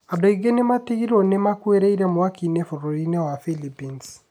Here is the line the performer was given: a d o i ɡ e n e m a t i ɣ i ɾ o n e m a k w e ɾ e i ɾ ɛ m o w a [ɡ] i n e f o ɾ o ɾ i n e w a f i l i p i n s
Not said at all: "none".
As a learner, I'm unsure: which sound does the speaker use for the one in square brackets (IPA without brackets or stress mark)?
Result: k